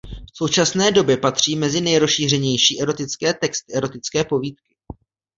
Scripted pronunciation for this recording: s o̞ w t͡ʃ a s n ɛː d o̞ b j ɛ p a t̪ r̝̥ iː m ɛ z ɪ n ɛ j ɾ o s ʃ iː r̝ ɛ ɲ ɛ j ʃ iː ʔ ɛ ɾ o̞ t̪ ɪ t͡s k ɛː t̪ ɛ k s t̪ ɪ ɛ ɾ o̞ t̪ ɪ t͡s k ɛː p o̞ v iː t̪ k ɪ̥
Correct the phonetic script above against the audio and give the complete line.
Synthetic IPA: s o̞ w t͡ʃ a s n ɛː d o̞ b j ɛ p a t̪ r̝̥ iː m ɛ z ɪ n ɛ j ɾ o s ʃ iː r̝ ɛ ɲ ɛ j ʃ iː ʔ ɛ ɾ o̞ t̪ ɪ t͡s k ɛː t̪ ɛ k s t̪ ɪ ɛ ɾ o̞ t̪ ɪ t͡s k ɛː p o̞ v iː t̪ k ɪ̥